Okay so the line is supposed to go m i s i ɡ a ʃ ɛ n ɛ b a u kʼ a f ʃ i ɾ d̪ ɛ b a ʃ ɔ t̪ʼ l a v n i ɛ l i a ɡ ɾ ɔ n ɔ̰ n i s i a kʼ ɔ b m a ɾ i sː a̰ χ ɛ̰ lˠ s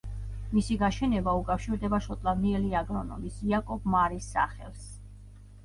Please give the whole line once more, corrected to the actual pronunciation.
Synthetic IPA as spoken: m i s i ɡ a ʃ ɛ n ɛ b a u kʼ a f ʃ i ɾ d̪ ɛ b a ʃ ɔ t̪ʼ l a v n i ɛ l i a ɡ ɾ ɔ n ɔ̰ m i s i a kʼ ɔ b m a ɾ i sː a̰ χ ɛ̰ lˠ s